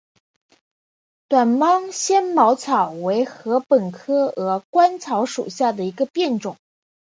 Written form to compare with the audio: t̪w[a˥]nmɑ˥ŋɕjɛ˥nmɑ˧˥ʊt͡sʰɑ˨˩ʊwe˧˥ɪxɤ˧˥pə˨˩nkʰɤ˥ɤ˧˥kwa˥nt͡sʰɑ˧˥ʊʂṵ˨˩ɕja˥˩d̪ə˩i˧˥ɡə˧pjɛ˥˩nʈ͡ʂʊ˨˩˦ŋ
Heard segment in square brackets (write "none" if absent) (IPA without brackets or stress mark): a˨˩